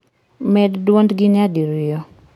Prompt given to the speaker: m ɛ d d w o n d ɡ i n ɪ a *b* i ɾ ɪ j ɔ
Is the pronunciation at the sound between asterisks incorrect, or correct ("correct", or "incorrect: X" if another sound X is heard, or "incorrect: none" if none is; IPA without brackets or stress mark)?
incorrect: d